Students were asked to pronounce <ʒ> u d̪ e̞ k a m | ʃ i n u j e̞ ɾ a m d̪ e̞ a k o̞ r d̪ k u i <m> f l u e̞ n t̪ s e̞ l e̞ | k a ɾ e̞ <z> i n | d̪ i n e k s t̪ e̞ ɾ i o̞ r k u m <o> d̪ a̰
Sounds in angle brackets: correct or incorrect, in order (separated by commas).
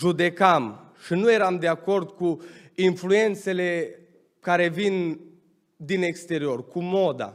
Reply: correct, incorrect, incorrect, correct